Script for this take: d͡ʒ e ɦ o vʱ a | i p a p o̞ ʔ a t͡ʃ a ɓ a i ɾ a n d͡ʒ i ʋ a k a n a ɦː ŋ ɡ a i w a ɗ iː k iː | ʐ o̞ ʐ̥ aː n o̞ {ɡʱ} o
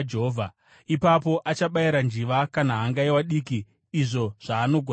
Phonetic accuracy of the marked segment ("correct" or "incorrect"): correct